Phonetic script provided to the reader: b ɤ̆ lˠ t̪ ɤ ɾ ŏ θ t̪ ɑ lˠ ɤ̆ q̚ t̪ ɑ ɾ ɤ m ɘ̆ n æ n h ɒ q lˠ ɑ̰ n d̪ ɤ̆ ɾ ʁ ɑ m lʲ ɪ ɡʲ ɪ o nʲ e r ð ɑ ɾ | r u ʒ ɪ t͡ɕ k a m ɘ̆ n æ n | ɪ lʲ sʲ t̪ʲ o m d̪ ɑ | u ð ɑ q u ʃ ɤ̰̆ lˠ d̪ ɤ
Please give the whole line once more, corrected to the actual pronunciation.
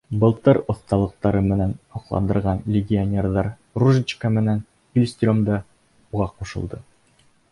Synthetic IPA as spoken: b ɤ̆ lˠ t̪ ɤ ɾ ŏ θ t̪ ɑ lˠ ɤ̆ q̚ t̪ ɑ ɾ ɤ m ɘ̆ n æ n h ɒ q lˠ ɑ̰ n d̪ ɤ̆ ɾ ʁ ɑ n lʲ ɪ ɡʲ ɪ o nʲ e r ð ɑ ɾ | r u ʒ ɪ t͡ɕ k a m ɘ̆ n æ n | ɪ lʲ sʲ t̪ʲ o m d̪ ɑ | u ʁ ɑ q u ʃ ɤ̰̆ lˠ d̪ ɤ